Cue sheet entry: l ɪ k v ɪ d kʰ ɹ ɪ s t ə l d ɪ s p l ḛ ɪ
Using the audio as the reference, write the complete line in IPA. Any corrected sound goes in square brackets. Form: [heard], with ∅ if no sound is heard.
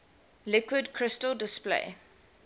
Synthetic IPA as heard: l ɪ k [w] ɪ d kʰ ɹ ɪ s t ə l d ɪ s p l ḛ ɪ